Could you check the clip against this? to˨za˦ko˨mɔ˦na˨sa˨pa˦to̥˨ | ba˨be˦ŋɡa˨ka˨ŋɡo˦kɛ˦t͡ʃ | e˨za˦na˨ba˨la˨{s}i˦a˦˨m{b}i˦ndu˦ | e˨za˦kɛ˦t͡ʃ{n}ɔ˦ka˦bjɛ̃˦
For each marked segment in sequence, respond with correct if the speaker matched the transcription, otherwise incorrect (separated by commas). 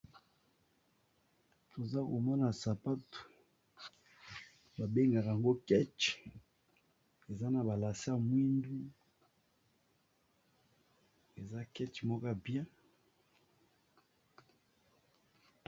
correct, incorrect, incorrect